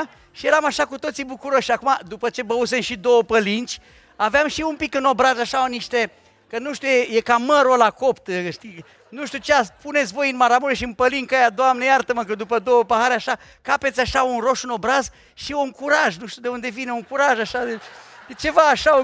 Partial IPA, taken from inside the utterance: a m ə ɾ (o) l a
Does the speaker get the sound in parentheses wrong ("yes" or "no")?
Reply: no